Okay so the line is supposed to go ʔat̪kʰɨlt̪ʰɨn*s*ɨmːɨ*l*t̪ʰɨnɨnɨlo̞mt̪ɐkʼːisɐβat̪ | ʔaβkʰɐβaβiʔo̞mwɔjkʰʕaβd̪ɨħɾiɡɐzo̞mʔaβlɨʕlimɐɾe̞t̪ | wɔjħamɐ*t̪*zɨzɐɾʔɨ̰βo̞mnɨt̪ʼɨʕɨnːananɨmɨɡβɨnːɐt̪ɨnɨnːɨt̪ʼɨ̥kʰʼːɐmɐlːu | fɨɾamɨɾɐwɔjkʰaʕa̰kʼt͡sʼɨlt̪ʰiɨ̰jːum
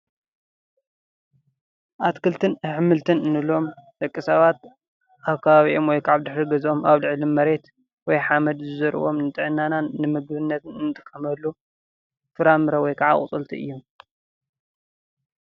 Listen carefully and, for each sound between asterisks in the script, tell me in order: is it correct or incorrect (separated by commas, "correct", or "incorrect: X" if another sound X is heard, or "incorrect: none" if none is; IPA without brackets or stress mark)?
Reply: incorrect: ħ, correct, incorrect: d̪